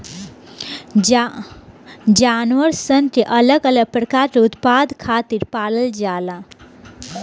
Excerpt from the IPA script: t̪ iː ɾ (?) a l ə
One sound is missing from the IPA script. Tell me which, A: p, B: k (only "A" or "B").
A